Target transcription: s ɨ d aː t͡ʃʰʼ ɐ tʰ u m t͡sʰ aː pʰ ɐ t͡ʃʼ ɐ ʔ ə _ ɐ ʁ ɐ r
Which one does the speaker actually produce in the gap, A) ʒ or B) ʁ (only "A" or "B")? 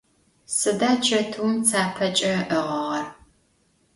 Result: B